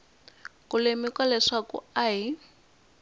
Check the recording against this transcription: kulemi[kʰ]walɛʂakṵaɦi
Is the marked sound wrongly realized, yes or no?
yes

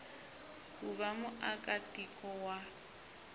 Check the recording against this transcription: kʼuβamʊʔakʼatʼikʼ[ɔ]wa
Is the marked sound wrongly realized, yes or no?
no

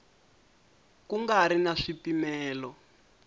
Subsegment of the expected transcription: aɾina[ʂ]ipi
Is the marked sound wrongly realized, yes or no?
no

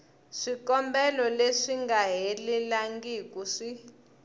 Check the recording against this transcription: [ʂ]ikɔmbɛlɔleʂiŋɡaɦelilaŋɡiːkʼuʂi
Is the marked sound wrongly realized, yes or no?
no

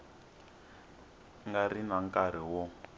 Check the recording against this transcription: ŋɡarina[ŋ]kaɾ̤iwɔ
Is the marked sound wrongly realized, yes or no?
no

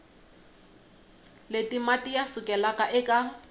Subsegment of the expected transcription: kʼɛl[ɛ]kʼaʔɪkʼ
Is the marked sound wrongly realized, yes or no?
yes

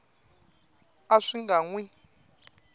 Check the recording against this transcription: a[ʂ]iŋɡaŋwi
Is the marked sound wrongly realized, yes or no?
no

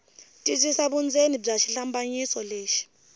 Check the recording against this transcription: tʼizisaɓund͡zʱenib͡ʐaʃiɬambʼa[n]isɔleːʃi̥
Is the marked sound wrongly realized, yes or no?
yes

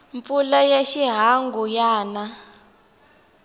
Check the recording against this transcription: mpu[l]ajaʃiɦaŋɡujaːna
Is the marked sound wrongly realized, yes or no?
no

